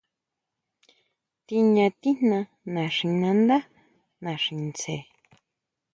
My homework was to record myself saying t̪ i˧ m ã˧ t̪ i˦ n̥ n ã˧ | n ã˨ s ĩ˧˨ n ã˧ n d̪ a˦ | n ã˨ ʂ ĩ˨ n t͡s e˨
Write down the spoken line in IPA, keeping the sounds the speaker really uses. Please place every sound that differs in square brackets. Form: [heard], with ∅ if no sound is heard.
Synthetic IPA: t̪ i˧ [ɲ] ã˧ t̪ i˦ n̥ n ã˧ | n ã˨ [ʂ] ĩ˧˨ n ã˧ n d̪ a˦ | n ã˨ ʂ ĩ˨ n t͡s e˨